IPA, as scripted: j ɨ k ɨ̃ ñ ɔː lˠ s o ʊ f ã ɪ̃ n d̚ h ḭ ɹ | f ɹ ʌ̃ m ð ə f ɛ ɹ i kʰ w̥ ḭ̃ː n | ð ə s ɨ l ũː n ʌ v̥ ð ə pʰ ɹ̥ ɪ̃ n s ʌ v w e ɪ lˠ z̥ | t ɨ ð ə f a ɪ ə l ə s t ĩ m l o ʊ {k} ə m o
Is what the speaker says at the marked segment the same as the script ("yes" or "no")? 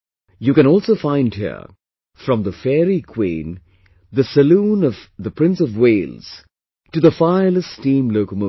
yes